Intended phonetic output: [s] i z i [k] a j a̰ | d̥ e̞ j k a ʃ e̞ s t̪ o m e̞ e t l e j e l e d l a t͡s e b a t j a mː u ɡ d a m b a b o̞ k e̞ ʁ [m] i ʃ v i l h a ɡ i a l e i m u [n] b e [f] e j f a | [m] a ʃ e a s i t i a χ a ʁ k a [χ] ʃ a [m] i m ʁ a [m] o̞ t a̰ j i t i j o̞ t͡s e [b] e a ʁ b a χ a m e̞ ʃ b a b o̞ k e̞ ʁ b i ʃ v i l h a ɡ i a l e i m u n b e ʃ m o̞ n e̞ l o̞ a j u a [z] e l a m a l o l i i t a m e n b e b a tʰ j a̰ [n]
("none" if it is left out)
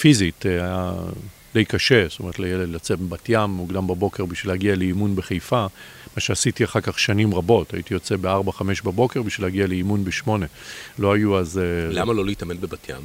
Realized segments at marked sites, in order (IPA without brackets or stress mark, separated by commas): f, t, b, n, χ, m, χ, n, b, b, z, m